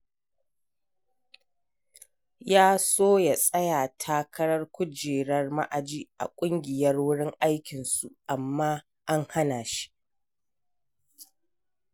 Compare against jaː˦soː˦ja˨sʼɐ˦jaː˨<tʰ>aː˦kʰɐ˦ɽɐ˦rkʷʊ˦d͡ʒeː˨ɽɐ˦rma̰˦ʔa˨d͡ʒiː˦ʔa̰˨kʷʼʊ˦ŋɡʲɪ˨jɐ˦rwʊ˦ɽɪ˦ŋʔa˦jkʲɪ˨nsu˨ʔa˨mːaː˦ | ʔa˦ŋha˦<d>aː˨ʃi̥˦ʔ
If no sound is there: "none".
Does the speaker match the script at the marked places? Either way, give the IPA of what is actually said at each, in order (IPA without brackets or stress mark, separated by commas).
tʰ, n